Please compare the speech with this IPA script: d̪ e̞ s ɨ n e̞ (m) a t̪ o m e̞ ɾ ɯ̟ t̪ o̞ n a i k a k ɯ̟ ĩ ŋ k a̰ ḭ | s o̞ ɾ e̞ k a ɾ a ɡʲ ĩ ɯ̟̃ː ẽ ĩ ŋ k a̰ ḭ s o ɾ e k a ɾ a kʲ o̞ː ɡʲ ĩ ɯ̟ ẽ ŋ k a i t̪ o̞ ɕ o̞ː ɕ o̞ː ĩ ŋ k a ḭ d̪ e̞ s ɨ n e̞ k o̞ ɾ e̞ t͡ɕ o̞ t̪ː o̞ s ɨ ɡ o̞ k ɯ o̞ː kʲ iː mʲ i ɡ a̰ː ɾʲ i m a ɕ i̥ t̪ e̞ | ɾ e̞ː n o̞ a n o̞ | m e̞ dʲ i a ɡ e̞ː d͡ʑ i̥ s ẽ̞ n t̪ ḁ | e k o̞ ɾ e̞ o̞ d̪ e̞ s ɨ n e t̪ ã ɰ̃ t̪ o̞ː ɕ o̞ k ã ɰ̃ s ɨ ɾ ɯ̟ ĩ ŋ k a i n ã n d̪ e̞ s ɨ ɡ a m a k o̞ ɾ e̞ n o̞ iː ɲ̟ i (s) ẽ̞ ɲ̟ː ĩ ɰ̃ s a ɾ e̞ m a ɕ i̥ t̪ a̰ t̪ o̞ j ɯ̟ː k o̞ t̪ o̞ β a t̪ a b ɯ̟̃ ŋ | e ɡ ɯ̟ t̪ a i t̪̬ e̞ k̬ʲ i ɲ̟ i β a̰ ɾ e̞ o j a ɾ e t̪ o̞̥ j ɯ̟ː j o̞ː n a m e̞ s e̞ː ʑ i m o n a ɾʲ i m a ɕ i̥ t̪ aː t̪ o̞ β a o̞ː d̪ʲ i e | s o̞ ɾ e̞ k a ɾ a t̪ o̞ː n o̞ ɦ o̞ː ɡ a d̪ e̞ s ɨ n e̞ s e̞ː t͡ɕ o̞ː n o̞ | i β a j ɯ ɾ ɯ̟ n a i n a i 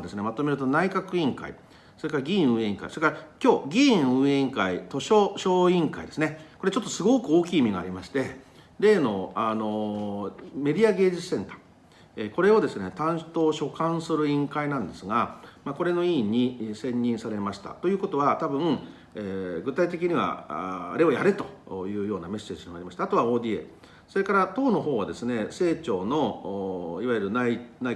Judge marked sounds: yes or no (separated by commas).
yes, yes